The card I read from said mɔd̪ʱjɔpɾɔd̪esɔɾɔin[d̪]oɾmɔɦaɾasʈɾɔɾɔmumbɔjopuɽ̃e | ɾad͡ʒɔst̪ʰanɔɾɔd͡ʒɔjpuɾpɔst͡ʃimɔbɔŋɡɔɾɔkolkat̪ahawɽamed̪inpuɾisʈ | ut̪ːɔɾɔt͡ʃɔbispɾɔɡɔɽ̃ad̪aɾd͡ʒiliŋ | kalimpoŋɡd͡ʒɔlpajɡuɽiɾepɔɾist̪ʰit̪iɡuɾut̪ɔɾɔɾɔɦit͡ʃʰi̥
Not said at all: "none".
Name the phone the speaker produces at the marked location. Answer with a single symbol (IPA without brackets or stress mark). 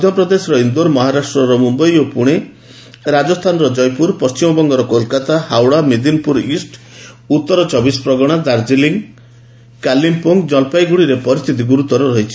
d̪